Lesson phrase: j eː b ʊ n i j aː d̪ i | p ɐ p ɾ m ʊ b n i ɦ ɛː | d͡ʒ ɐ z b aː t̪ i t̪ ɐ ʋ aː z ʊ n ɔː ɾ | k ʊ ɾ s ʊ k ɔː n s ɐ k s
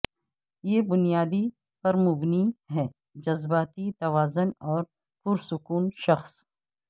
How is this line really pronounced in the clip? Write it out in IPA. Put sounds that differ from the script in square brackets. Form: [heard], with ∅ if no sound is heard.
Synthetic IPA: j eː b ʊ n i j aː d̪ i | p ɐ [∅] ɾ m ʊ b n i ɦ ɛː | d͡ʒ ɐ z b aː t̪ i t̪ ɐ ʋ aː z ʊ n ɔː ɾ | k ʊ ɾ s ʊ k [uː] n [ʃ] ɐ [x] s